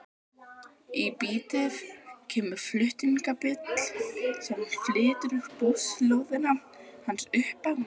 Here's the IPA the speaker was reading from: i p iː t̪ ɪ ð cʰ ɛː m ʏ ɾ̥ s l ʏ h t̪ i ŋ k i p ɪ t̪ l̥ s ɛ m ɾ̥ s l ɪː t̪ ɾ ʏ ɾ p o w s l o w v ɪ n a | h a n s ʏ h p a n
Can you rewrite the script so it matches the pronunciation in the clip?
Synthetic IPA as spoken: i p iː t̪ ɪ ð cʰ ɛː m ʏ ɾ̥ f l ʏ h t̪ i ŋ k a p ɪ t̪ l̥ s ɛ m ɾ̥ f l ɪː t̪ ɾ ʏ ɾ p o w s l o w ð ɪ n a | h a n s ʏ h p a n